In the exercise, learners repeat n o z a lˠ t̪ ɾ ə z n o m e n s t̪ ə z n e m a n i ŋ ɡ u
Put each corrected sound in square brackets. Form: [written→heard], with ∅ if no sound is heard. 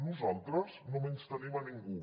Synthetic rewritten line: n [o→u] z a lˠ t̪ ɾ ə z n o m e n s t̪ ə [z→∅] n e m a n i ŋ ɡ u